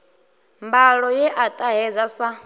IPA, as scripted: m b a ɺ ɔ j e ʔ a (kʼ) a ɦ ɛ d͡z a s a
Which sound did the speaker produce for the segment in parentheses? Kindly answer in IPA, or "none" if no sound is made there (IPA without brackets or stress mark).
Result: tʼ